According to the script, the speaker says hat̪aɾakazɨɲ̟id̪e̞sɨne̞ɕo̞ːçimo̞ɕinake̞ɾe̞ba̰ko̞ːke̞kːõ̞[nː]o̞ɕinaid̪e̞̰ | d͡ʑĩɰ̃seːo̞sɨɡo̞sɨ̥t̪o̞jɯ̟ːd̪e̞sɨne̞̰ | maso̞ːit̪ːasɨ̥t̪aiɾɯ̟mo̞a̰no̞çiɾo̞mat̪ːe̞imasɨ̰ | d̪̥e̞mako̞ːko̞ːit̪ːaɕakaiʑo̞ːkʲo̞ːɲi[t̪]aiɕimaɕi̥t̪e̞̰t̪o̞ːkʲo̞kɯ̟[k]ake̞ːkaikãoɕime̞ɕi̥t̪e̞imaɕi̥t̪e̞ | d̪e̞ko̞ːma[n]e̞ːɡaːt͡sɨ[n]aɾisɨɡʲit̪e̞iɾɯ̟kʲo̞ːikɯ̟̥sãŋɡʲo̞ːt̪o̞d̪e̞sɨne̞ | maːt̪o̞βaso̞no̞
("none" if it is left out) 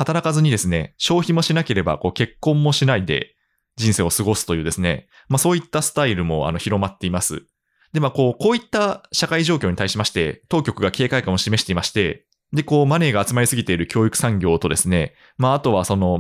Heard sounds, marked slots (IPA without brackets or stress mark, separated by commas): mː, t̪, ɡ, n, m